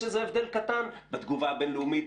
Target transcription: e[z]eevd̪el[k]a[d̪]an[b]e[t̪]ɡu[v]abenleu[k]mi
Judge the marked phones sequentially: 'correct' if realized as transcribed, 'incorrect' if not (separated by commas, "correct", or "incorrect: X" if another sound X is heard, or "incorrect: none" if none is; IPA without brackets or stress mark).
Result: correct, correct, incorrect: t̪, correct, correct, correct, incorrect: none